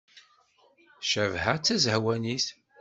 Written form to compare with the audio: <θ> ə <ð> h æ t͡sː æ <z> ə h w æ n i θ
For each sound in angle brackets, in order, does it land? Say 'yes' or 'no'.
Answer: no, no, yes

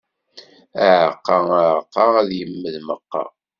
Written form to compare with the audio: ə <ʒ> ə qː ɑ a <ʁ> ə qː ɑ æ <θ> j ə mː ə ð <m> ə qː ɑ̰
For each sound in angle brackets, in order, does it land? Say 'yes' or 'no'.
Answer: no, no, no, yes

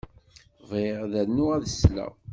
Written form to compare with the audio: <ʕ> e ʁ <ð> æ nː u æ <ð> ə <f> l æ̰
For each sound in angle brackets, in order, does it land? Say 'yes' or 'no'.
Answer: no, yes, yes, no

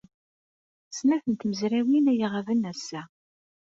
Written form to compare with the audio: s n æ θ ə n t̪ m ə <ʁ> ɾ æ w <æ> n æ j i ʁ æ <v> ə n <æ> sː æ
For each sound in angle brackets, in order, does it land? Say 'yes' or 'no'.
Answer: no, no, yes, yes

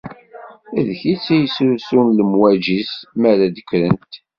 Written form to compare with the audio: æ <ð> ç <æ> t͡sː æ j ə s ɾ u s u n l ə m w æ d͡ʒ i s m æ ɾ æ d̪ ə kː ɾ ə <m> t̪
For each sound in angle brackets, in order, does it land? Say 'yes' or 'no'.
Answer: yes, no, no

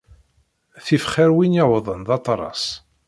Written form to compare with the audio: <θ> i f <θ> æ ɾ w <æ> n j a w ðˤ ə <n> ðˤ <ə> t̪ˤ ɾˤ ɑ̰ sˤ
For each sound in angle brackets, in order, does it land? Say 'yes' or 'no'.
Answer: yes, no, no, yes, no

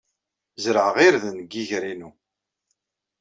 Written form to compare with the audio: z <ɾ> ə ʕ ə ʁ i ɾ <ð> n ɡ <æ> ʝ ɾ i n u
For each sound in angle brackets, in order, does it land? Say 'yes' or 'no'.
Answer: yes, yes, no

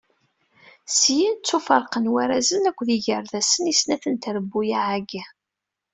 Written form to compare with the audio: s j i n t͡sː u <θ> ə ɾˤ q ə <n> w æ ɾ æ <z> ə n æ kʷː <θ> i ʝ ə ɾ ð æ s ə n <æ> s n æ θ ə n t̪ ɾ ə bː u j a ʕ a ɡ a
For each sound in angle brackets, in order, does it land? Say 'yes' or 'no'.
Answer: no, yes, yes, no, no

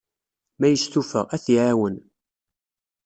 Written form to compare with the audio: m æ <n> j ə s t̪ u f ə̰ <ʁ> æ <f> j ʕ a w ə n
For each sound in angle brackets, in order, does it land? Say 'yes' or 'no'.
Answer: no, yes, no

